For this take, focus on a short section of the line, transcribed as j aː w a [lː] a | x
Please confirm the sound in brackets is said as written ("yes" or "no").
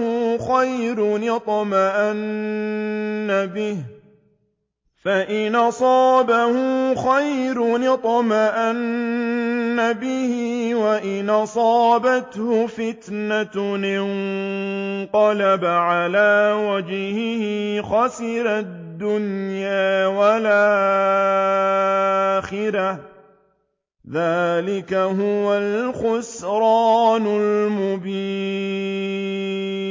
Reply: no